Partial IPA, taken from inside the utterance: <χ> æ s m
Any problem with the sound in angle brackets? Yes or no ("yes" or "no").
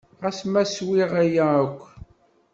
yes